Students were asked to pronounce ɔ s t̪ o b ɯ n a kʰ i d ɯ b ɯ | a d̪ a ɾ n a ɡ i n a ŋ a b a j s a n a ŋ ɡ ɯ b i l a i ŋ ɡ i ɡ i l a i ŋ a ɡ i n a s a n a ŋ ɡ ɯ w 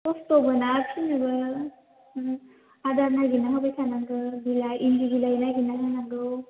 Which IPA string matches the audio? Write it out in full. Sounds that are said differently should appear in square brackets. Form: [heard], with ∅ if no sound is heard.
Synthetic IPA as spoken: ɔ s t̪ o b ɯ n a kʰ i [n] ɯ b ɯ | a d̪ a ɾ n a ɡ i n a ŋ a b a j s a n a ŋ ɡ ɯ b i l a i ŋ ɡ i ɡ i l a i [n] a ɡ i n a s a n a ŋ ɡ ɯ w